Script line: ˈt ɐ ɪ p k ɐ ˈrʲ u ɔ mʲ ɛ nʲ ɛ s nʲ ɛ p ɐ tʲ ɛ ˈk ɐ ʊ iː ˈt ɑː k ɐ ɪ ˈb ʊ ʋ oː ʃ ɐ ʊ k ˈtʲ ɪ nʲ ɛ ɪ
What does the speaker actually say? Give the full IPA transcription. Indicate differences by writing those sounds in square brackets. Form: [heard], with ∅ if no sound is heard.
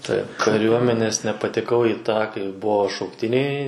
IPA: ˈt ɐ ɪ p k ɐ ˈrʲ u ɔ mʲ ɛ nʲ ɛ s nʲ ɛ p ɐ tʲ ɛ ˈk ɐ ʊ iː ˈt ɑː k ɐ ɪ ˈb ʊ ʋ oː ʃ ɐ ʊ k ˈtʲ ɪ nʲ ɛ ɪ